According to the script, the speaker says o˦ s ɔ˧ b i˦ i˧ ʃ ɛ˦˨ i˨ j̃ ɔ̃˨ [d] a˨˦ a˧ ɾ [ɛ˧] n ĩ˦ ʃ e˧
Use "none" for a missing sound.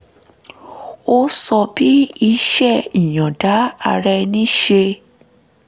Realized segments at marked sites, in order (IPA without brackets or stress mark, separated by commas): d, ɛ˧